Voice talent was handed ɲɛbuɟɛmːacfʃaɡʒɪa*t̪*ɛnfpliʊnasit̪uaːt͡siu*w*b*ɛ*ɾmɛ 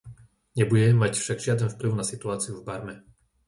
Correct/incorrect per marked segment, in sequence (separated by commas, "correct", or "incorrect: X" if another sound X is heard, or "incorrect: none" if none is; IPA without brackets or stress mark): incorrect: d̪, incorrect: v, incorrect: a